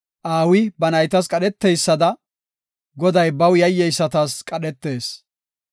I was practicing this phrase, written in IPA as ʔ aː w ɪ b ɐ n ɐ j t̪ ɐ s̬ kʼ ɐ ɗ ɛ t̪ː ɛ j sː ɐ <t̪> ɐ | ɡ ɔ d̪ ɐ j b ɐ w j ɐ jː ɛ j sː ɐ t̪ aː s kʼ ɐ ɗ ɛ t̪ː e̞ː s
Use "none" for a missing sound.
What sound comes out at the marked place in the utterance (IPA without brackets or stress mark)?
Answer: d̪